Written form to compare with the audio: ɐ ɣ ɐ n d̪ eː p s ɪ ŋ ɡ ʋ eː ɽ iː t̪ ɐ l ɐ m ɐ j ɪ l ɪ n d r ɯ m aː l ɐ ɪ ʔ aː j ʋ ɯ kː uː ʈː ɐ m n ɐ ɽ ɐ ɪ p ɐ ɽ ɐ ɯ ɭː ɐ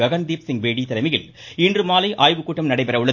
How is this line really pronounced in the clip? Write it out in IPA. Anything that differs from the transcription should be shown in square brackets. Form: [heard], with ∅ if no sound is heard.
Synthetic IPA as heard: ɐ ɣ ɐ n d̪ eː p s ɪ ŋ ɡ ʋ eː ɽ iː t̪ ɐ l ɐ m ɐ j ɪ l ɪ n d r ɯ m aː l ɐ ɪ ʔ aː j ʋ ɯ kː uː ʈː ɐ m n ɐ ɽ ɐ ɪ p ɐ [ɾ] ɐ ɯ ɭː ɐ